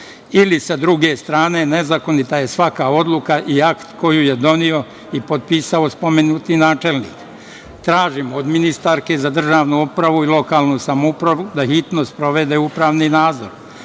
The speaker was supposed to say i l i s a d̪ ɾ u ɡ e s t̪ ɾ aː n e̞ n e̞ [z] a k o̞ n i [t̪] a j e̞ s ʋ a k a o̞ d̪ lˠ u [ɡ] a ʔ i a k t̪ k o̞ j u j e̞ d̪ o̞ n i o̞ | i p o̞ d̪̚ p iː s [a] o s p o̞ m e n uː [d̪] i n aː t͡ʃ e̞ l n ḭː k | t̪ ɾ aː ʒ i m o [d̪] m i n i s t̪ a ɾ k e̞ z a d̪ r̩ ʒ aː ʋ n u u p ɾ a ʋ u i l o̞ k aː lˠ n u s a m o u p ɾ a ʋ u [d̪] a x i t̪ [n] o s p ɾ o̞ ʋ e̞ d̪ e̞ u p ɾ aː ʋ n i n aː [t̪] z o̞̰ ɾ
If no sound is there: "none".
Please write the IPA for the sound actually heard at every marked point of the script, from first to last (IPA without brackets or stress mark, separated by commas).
z, t̪, k, a, t̪, d̪, d̪, n, d̪